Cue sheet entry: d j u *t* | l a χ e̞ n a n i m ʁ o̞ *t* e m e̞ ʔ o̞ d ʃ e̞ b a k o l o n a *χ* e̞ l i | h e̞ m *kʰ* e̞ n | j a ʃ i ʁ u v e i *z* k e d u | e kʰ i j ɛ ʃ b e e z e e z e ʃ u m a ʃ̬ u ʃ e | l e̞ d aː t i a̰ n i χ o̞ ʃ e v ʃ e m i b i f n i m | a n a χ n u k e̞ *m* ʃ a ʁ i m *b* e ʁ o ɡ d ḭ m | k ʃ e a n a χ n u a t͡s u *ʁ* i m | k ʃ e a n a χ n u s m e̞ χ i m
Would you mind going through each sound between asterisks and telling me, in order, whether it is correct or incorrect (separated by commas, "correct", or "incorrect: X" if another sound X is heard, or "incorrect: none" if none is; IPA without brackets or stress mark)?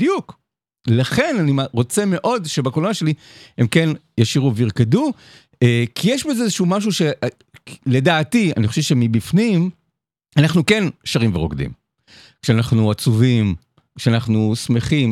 incorrect: k, incorrect: t͡s, incorrect: ʃ, incorrect: k, incorrect: ʁ, incorrect: n, incorrect: v, incorrect: v